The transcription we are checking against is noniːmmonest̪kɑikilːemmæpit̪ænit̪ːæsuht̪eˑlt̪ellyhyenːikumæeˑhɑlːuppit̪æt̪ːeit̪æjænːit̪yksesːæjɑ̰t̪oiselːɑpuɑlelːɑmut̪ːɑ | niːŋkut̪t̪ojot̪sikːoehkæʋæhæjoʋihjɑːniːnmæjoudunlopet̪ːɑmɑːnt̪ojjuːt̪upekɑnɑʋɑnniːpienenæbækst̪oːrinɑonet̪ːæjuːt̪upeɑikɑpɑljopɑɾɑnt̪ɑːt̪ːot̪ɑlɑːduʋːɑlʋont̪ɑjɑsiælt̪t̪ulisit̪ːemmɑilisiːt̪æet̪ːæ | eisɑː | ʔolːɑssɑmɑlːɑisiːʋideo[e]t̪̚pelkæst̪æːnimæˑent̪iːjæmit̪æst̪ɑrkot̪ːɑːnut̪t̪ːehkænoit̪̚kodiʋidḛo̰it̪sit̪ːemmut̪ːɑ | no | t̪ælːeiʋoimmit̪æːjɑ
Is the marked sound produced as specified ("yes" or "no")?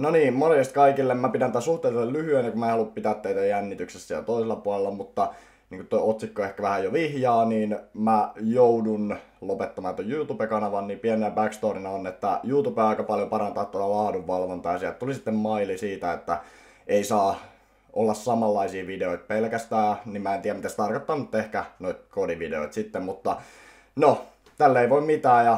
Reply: no